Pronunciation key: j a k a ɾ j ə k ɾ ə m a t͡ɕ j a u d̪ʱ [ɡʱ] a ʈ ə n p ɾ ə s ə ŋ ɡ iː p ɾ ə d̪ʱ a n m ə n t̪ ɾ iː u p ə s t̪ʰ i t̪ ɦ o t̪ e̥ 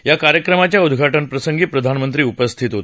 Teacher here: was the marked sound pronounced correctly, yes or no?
yes